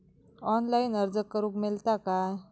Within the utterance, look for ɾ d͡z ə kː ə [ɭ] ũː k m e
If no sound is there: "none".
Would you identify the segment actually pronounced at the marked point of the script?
ɾ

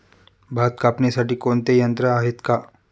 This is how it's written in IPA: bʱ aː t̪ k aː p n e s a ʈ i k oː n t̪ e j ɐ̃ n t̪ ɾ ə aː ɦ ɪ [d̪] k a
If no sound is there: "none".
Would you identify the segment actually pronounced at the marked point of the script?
t̪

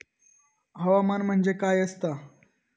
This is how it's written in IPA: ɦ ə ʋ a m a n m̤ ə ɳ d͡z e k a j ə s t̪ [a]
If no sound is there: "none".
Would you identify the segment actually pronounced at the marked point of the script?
a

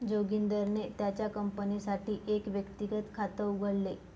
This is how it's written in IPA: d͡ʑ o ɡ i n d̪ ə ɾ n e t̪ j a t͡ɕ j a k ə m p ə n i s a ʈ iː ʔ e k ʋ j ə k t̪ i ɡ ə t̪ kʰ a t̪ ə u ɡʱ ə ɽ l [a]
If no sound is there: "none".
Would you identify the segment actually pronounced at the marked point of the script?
e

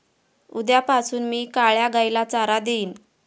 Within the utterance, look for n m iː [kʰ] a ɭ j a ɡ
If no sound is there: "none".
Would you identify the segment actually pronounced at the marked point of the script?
k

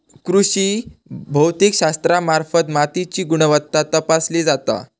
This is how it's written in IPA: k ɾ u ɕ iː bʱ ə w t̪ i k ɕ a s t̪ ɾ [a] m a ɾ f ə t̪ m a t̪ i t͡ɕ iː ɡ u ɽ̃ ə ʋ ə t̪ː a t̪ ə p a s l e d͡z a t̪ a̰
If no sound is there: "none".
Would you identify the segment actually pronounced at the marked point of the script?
a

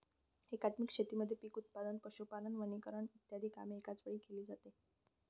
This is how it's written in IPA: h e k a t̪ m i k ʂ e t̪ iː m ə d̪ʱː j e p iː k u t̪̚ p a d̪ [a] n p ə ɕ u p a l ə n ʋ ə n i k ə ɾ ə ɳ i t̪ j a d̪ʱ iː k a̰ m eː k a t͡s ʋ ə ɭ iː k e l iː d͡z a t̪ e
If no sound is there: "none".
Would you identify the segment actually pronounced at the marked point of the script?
ə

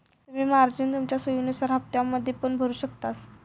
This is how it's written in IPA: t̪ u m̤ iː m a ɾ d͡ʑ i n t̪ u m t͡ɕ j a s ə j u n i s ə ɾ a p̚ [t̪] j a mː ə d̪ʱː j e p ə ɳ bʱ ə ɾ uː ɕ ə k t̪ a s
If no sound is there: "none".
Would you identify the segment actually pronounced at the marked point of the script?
t̪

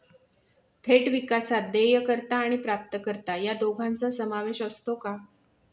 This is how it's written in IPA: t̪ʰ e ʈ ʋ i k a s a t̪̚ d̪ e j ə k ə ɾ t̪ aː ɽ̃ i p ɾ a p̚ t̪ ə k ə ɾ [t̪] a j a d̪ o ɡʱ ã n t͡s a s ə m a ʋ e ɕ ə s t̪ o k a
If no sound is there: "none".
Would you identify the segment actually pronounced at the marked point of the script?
t̪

